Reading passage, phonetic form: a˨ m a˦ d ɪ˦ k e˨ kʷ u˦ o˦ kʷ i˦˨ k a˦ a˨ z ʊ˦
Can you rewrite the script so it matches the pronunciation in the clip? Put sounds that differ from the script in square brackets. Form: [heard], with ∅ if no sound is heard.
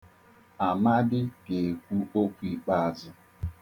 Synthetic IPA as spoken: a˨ m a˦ d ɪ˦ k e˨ kʷ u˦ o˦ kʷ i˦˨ [k͡p] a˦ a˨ z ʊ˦